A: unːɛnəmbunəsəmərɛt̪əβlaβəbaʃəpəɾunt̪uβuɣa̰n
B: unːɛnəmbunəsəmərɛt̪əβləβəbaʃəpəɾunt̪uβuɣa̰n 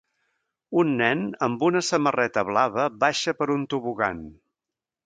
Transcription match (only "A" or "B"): A